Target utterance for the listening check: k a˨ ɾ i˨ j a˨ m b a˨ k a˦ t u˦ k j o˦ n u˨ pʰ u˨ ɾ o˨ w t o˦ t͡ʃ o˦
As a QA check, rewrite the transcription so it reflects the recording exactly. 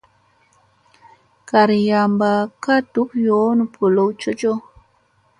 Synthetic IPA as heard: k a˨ ɾ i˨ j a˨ m b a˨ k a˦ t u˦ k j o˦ n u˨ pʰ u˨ l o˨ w t͡ʃ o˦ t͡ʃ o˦